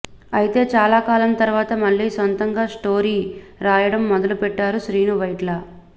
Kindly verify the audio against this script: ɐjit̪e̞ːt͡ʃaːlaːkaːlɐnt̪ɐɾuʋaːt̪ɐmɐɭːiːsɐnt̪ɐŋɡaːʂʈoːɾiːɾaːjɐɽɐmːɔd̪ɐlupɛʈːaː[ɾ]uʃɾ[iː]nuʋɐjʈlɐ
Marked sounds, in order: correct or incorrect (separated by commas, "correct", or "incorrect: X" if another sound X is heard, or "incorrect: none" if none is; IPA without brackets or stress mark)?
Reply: correct, correct